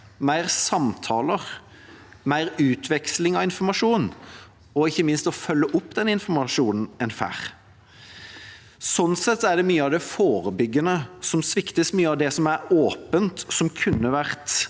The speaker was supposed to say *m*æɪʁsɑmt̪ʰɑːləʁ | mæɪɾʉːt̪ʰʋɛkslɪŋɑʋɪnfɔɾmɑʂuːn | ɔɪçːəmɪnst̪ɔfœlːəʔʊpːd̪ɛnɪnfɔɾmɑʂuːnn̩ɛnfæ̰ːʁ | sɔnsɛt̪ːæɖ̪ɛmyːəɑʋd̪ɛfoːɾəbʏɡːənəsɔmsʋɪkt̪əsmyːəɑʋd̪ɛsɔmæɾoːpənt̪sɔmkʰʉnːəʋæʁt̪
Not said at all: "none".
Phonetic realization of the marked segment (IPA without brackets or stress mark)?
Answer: m